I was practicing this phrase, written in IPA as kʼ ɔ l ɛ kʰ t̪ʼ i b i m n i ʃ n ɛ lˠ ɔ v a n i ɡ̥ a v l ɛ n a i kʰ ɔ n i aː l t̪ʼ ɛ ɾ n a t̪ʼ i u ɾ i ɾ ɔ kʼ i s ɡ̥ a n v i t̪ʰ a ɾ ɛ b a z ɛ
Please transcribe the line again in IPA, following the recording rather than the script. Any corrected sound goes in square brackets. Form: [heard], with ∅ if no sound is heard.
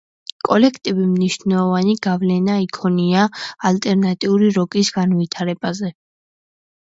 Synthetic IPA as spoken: kʼ ɔ l ɛ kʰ t̪ʼ i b i m n i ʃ n ɛ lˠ ɔ v a n i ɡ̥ a v l ɛ n a i kʰ ɔ n i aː l t̪ʼ ɛ ɾ n a t̪ʼ i u ɾ i ɾ ɔ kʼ i s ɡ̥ a n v i t̪ʰ a ɾ ɛ b a z ɛ